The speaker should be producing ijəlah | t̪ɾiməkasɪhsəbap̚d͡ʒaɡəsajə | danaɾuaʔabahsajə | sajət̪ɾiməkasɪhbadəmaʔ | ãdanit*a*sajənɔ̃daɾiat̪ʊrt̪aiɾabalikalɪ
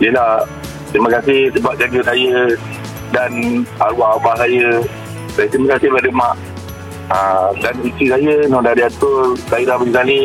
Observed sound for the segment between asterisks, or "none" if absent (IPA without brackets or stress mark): i